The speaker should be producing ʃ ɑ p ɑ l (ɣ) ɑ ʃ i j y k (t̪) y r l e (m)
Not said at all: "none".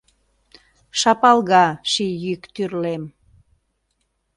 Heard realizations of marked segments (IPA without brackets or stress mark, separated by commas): ɣ, t̪, m